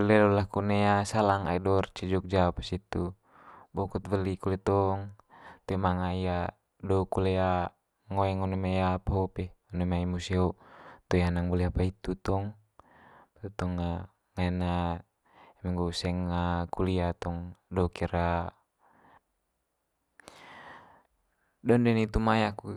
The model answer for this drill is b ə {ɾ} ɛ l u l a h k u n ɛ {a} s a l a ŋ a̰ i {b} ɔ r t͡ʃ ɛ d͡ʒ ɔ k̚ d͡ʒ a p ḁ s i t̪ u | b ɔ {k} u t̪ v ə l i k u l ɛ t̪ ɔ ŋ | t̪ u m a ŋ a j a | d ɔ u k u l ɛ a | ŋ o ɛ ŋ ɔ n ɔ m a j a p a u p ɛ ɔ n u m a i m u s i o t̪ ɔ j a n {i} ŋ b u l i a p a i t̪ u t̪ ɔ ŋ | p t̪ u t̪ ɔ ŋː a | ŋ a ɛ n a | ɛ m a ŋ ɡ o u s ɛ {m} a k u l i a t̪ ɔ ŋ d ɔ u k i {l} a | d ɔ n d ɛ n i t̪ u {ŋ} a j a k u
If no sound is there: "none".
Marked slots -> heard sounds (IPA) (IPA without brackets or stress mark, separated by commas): l, a, d, k, a, ŋ, ɾ, m